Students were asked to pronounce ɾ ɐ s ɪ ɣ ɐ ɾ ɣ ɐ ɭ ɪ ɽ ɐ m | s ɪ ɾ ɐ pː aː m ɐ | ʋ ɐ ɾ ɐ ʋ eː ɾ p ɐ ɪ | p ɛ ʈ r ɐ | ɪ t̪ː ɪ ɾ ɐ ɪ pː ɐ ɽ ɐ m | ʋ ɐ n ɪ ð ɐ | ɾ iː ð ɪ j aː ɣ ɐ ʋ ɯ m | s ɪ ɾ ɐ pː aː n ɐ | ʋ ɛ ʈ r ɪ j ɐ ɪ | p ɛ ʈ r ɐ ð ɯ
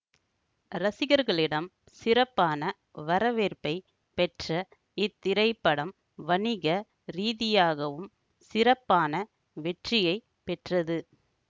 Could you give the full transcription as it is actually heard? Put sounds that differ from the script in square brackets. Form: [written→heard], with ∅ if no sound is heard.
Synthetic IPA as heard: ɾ ɐ s ɪ ɣ ɐ ɾ ɣ ɐ ɭ ɪ ɽ ɐ m | s ɪ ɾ ɐ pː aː [m→n] ɐ | ʋ ɐ ɾ ɐ ʋ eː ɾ p ɐ ɪ | p ɛ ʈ r ɐ | ɪ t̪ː ɪ ɾ ɐ ɪ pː ɐ ɽ ɐ m | ʋ ɐ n ɪ [ð→ɣ] ɐ | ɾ iː ð ɪ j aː ɣ ɐ ʋ ɯ m | s ɪ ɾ ɐ pː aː n ɐ | ʋ ɛ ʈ r ɪ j ɐ ɪ | p ɛ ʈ r ɐ ð ɯ